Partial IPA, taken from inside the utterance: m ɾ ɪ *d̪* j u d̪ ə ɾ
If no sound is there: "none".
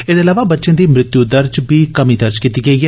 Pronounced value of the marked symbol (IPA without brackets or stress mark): t̪